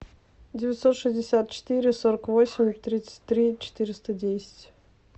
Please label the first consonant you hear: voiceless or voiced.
voiced